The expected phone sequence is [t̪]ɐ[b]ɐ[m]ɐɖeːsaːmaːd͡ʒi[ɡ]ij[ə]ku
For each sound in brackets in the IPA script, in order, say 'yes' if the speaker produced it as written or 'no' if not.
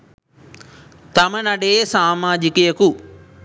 yes, no, no, no, no

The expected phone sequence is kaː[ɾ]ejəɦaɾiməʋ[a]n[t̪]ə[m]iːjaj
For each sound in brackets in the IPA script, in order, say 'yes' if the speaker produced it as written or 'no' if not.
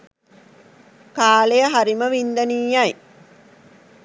no, no, no, no

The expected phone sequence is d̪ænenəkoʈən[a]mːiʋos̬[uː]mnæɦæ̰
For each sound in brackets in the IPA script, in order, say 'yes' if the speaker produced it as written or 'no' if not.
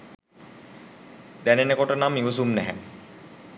yes, no

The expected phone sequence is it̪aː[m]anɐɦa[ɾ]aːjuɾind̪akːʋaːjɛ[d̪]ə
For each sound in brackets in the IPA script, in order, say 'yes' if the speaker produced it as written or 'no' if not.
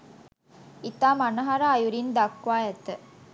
yes, yes, no

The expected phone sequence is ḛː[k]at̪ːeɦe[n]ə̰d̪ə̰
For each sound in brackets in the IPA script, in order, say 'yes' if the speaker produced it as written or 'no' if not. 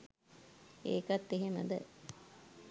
yes, no

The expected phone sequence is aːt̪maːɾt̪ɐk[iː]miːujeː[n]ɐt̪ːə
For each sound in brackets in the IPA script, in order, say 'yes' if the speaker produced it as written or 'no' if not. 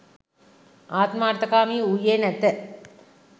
no, yes

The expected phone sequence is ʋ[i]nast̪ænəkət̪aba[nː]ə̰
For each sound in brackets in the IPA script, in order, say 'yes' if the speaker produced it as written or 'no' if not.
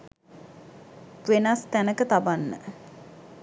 no, yes

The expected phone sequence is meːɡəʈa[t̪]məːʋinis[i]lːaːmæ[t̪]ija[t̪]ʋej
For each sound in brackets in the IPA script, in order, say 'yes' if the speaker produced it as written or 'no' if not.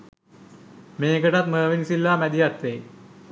yes, yes, no, yes

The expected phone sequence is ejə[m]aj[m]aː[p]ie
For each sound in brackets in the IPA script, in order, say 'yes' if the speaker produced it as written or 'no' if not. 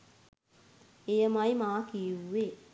yes, yes, no

